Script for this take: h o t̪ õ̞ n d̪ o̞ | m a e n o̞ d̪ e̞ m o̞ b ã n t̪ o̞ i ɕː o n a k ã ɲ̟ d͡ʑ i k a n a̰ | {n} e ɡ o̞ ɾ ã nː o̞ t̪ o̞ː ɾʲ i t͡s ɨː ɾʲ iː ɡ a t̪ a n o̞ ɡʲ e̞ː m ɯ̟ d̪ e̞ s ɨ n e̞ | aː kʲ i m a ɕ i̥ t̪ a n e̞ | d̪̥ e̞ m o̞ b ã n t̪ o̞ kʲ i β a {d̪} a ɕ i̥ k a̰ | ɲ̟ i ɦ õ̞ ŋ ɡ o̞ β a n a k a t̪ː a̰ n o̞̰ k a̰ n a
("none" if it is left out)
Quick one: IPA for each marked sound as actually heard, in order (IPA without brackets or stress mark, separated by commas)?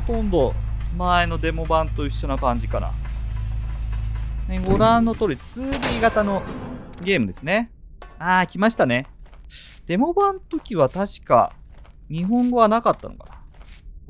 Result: n, t̪